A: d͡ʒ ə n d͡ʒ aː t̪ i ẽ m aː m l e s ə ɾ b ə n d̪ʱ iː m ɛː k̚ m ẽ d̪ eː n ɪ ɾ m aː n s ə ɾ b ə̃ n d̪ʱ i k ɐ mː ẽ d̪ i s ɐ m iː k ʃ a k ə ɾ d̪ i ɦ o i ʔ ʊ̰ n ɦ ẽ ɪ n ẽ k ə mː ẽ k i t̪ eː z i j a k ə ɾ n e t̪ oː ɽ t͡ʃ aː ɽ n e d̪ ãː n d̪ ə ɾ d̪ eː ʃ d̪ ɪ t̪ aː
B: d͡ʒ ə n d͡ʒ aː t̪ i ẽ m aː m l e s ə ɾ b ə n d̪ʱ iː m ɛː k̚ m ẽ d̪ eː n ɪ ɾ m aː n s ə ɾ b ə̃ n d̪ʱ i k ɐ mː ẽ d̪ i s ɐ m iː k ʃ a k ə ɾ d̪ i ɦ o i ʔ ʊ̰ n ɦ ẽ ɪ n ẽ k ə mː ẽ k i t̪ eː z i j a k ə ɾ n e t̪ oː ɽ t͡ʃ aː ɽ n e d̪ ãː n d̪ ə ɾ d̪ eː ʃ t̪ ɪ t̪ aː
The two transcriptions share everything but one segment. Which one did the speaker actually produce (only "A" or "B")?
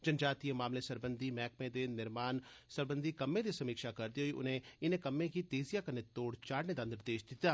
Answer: A